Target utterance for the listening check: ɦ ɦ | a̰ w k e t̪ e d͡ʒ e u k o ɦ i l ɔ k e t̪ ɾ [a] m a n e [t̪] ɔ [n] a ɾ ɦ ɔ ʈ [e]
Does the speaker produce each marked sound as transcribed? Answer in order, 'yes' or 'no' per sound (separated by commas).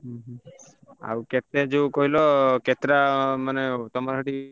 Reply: yes, yes, no, no